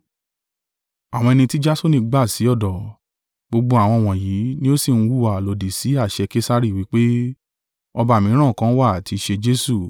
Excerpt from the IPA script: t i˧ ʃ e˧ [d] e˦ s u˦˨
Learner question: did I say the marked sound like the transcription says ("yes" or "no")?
no